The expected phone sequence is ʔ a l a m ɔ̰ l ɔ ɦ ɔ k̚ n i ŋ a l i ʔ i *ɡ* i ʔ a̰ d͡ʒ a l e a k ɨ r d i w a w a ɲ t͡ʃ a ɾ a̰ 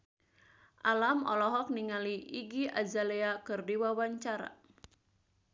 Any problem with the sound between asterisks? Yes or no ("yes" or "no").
no